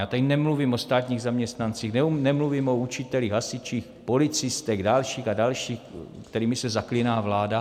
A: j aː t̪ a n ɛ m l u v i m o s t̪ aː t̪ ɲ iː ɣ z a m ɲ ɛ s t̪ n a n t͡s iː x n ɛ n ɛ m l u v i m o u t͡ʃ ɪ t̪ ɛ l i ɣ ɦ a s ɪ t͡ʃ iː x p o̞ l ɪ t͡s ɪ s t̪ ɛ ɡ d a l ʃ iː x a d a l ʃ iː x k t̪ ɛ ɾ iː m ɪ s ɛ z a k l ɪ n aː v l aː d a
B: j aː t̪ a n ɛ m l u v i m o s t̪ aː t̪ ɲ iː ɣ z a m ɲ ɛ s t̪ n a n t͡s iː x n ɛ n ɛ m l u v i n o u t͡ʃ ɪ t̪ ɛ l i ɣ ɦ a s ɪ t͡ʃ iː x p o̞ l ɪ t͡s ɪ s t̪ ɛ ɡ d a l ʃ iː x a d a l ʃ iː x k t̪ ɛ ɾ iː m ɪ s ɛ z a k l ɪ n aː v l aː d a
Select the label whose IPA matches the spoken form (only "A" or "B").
A